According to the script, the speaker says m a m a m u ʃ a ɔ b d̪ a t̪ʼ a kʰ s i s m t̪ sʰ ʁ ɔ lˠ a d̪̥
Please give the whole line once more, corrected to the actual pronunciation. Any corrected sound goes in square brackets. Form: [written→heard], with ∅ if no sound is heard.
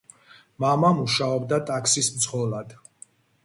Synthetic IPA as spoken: m a m a m u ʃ a ɔ b d̪ a t̪ʼ a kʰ s i s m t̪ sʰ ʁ ɔ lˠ a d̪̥